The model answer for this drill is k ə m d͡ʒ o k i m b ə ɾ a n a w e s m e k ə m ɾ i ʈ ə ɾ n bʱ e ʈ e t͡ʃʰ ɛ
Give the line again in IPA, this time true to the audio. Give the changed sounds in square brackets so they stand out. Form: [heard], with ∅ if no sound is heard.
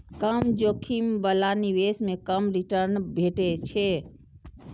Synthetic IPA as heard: k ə m d͡ʒ o [kʰ] i m b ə [l] a n [i] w e s m e k ə m ɾ i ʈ ə ɾ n bʱ e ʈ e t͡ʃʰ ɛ